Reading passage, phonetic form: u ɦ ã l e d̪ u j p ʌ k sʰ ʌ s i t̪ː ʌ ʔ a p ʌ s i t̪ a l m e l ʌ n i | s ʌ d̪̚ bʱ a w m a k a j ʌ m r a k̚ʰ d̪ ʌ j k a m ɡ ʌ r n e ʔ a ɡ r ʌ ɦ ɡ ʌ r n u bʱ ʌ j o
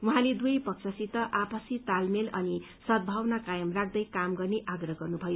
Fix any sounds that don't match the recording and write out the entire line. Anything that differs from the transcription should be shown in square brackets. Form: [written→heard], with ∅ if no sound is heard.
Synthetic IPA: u ɦ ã l e d̪ u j p ʌ k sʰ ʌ s i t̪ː ʌ ʔ a p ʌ s i t̪ a l m e l ʌ n i | s ʌ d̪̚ bʱ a w [m→n] a k a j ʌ m r a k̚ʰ d̪ ʌ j k a m ɡ ʌ r n e ʔ a ɡ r ʌ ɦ ɡ ʌ r n u bʱ ʌ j o